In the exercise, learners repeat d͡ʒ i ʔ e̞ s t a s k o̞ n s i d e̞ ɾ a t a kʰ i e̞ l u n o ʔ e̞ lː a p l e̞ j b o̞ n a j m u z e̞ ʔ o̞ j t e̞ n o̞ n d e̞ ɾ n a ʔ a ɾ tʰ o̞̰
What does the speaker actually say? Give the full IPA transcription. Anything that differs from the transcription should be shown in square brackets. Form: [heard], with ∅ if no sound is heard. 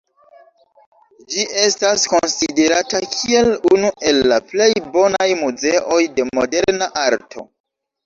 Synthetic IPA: d͡ʒ i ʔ e̞ s t a s k o̞ n s i d e̞ ɾ a t a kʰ i e̞ l u n [u] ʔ e̞ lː a p l e̞ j b o̞ n a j m u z e̞ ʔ o̞ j [d] e̞ [m] o̞ [∅] d e̞ ɾ n a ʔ a ɾ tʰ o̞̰